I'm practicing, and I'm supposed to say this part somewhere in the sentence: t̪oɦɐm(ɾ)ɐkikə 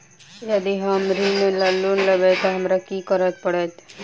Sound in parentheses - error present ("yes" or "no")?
no